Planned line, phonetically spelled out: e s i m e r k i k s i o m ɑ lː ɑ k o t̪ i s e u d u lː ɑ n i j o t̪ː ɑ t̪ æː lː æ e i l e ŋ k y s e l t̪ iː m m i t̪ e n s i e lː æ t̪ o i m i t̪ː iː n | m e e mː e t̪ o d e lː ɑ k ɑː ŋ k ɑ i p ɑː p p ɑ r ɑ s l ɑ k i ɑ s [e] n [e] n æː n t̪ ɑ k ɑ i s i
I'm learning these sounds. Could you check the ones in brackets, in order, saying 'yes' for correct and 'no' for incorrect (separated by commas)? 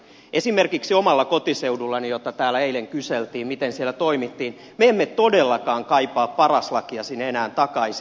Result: no, yes